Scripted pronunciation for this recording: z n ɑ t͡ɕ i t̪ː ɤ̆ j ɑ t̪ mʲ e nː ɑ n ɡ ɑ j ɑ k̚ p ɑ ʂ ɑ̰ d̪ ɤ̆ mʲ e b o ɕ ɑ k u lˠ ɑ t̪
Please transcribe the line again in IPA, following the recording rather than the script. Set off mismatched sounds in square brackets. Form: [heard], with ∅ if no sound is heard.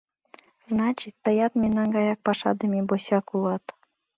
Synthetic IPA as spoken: z n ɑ t͡ɕ i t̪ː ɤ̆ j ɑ t̪ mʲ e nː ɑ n ɡ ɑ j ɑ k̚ p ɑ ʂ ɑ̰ d̪ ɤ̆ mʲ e b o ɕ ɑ k u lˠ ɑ t̪